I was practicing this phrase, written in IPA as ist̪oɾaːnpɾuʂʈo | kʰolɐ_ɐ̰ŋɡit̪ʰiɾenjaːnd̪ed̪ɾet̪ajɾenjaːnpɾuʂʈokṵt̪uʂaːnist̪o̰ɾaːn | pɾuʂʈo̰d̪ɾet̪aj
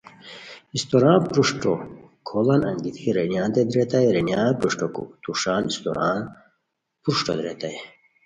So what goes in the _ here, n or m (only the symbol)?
n